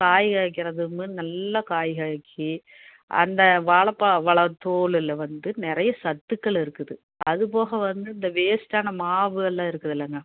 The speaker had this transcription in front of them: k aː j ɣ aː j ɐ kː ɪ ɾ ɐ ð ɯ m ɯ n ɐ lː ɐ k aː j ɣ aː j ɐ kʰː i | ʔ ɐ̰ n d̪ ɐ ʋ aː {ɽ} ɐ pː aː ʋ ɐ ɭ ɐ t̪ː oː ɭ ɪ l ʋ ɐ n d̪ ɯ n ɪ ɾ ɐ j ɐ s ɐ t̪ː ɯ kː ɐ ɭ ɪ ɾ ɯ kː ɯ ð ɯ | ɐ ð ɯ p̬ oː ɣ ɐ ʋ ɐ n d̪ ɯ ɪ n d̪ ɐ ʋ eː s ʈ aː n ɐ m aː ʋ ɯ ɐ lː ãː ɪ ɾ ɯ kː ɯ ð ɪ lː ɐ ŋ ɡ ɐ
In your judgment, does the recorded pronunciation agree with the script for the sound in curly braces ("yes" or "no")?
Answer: no